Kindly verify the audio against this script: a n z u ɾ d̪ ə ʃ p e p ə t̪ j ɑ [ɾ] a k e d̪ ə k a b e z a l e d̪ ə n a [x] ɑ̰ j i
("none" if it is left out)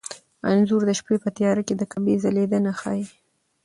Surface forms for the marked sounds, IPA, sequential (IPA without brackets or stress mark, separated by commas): ɾ, x